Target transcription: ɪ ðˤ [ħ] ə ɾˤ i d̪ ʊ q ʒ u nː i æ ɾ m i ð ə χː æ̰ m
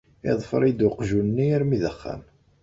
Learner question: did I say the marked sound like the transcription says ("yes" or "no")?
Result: no